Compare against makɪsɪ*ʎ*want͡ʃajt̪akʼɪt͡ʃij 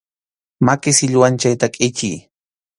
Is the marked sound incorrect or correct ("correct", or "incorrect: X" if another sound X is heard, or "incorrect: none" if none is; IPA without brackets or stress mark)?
correct